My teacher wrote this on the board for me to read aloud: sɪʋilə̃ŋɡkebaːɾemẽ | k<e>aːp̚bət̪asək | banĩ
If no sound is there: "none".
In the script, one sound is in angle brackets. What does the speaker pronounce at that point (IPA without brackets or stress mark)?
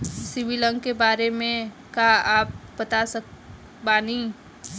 a